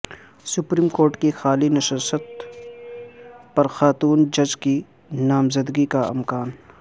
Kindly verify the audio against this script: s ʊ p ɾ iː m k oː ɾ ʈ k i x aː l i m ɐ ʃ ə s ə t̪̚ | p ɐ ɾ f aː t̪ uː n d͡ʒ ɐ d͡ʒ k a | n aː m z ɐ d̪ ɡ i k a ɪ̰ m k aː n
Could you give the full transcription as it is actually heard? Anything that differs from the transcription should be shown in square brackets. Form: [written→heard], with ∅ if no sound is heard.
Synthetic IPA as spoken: s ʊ p ɾ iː m k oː ɾ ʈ k i x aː l i [m→n] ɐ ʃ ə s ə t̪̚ | p ɐ ɾ [f→x] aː t̪ uː n d͡ʒ ɐ d͡ʒ k [a→i] | n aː m z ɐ d̪ ɡ i k a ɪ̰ m k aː n